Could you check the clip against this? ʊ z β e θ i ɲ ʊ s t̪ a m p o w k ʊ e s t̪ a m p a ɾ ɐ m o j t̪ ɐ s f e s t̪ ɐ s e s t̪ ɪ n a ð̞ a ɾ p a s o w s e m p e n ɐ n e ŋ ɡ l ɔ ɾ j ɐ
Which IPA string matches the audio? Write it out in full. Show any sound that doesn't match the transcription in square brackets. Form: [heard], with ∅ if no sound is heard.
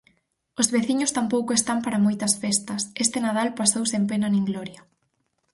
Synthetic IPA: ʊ z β e θ i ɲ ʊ s t̪ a m p o w k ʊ e s t̪ a m p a ɾ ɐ m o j t̪ ɐ s f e s t̪ ɐ s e s t̪ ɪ n a ð̞ a [l] p a s o w s e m p e n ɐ n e ŋ ɡ l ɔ ɾ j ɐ